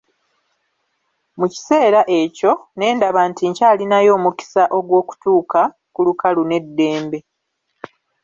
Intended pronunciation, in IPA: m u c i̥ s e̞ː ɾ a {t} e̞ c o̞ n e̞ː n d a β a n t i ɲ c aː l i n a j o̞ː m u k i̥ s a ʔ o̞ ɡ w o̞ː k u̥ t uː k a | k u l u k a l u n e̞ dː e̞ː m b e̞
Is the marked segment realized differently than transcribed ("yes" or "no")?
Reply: yes